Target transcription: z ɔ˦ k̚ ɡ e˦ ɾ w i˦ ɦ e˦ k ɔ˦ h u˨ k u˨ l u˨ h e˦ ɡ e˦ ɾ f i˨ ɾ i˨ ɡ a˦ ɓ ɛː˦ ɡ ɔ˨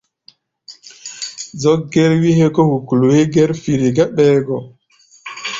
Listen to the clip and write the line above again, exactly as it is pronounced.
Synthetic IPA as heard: z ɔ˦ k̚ ɡ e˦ ɾ w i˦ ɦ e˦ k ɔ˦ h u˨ k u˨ l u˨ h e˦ ɡ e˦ ɾ f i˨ ɾ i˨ ɡ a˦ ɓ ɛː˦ ɡ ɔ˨